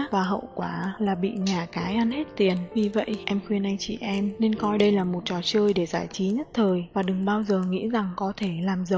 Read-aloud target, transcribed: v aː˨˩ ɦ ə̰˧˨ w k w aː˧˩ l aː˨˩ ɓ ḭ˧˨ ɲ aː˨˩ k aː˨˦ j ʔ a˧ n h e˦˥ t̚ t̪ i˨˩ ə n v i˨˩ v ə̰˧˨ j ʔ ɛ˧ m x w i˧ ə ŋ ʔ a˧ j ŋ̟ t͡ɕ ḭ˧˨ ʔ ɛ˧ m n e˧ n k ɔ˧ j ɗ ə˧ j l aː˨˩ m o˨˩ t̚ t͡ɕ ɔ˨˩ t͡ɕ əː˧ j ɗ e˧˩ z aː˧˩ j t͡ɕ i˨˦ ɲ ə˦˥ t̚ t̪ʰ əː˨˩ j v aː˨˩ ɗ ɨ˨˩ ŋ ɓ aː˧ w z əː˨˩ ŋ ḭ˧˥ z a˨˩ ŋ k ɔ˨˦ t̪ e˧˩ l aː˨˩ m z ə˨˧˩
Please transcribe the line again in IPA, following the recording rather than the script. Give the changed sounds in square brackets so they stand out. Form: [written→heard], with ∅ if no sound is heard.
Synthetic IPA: v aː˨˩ ɦ ə̰˧˨ w k w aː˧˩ l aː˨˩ ɓ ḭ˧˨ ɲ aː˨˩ k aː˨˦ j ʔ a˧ n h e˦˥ t̚ t̪ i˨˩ ə n v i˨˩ v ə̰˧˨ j ʔ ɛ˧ m x w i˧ ə [ŋ→n] ʔ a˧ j ŋ̟ t͡ɕ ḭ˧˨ ʔ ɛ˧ m n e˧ n k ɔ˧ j ɗ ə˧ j l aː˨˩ m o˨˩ t̚ t͡ɕ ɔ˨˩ t͡ɕ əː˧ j ɗ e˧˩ z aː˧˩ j t͡ɕ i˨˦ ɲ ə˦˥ t̚ t̪ʰ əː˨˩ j v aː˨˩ ɗ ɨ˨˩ ŋ ɓ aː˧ w z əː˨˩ ŋ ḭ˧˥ z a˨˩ ŋ k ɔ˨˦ [t̪→t̪ʰ] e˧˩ l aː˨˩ m z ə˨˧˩

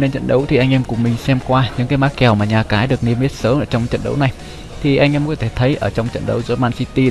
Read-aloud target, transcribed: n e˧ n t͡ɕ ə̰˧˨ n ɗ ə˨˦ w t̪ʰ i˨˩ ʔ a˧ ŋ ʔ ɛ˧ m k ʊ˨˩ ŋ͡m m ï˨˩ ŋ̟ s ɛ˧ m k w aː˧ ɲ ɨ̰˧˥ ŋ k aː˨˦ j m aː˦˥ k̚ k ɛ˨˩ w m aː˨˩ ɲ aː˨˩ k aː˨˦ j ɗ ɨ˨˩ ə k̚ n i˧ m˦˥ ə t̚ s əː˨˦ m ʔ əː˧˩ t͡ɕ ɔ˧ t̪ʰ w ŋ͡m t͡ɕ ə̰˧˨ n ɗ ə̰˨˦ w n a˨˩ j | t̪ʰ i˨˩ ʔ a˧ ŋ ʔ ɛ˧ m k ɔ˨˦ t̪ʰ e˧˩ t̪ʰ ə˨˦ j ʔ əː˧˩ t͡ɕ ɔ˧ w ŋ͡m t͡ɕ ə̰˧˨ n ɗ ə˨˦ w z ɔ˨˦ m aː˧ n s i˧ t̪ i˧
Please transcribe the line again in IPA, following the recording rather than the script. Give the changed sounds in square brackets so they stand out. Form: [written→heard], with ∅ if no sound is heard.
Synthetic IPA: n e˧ n t͡ɕ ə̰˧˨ n ɗ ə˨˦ w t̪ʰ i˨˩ ʔ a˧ ŋ ʔ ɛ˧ m k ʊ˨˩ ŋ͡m m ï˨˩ ŋ̟ s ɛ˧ m k w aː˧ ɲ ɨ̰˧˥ ŋ k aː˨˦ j m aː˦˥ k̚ k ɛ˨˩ w m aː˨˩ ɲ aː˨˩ k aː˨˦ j ɗ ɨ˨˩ ə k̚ n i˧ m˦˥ ə t̚ s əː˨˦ m ʔ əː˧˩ t͡ɕ ɔ˧ [t̪ʰ→∅] w ŋ͡m t͡ɕ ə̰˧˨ n ɗ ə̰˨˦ w n a˨˩ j | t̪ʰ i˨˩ ʔ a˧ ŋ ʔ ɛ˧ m k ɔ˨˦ t̪ʰ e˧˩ t̪ʰ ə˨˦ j ʔ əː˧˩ t͡ɕ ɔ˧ w ŋ͡m t͡ɕ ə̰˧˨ n ɗ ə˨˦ w z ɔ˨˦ m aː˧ n s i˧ t̪ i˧

